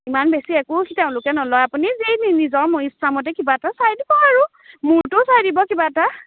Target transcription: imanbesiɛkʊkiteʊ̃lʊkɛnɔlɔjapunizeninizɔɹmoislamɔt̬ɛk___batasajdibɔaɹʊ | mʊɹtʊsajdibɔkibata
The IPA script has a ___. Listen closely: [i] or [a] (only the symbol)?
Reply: i